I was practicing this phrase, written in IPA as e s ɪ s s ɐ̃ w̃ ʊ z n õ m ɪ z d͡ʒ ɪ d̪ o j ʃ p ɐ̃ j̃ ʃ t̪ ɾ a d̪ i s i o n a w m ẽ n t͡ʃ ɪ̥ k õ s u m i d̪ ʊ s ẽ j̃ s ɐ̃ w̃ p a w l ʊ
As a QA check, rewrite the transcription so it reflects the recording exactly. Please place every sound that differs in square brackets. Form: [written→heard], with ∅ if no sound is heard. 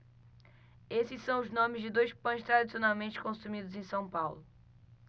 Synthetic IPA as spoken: e s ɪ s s ɐ̃ w̃ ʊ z n õ m ɪ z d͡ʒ ɪ d̪ o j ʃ p ɐ̃ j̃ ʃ t̪ ɾ a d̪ i s i o n a w m ẽ n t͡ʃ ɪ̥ k õ s u m i d̪ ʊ [s→z] ẽ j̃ s ɐ̃ w̃ p a w l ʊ